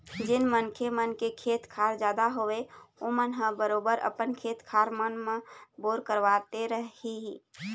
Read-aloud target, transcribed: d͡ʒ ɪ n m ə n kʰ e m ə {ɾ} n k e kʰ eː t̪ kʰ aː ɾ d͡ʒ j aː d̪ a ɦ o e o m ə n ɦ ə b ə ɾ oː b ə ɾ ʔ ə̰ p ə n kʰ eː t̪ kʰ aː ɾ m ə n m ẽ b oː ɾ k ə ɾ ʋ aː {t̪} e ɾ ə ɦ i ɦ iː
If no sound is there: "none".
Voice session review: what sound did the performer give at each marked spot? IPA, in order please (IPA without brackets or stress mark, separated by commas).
none, t̪